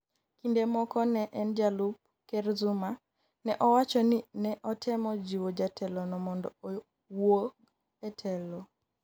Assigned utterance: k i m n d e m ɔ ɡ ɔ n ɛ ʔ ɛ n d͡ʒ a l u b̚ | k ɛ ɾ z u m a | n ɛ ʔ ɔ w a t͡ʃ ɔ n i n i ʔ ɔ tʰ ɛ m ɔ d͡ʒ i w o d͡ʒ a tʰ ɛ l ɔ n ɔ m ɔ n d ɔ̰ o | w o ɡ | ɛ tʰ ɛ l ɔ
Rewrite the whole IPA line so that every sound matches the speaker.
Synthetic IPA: k i n d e m ɔ k ɔ n ɛ ʔ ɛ n d͡ʒ a l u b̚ | k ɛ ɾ z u m a | n ɛ ʔ ɔ w a t͡ʃ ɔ n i n ɛ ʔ ɔ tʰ ɛ m ɔ d͡ʒ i w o d͡ʒ a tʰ ɛ l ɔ n ɔ m ɔ n d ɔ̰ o | w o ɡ | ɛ tʰ ɛ l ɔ